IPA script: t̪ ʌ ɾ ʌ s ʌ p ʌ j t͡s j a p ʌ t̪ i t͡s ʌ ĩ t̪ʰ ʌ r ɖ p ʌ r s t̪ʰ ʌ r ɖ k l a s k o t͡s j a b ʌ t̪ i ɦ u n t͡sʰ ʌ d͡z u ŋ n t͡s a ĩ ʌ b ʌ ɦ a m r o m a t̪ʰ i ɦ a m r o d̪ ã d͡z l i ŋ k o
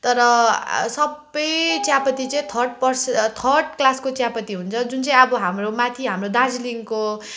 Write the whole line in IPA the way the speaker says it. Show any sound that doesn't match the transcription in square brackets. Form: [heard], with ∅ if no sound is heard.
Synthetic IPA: t̪ ʌ ɾ ʌ s ʌ [b] ʌ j t͡s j a p ʌ t̪ i t͡s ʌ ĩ t̪ʰ ʌ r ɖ p ʌ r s t̪ʰ ʌ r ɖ k l a s k o t͡s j a [p] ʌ t̪ i ɦ u n t͡sʰ ʌ d͡z u [∅] n t͡s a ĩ ʌ b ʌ ɦ a m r o m a t̪ʰ i ɦ a m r o d̪ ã d͡z l i ŋ k o